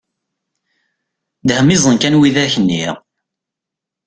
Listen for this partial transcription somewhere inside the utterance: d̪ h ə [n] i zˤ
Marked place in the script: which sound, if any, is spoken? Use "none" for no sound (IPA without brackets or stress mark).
m